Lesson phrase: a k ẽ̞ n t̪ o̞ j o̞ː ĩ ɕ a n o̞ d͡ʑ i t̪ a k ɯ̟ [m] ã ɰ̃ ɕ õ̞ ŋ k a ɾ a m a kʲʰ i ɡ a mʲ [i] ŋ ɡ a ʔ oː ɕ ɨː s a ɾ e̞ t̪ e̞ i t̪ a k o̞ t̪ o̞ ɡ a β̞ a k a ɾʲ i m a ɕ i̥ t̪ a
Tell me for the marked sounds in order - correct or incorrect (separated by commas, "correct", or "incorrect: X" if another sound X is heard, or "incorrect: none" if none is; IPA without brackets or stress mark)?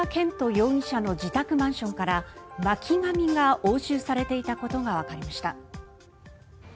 correct, correct